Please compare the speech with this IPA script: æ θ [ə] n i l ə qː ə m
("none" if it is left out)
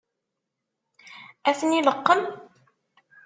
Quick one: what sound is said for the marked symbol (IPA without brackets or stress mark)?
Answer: ə